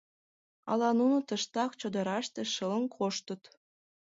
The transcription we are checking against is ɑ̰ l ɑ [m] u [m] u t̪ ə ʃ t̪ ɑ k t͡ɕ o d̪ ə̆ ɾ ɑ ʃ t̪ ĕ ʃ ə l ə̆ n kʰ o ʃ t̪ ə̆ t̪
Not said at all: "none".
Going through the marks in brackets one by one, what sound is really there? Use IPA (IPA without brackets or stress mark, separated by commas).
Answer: n, n